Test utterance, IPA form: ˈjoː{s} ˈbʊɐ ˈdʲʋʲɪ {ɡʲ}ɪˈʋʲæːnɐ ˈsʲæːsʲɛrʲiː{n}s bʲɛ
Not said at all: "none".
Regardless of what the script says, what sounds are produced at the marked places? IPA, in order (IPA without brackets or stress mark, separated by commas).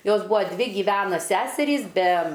s, ɡʲ, none